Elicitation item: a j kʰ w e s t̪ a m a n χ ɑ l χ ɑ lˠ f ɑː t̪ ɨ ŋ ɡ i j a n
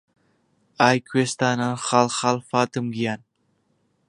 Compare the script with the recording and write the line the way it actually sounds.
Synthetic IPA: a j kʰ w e s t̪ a n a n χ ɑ l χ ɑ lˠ f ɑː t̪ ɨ m ɡ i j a n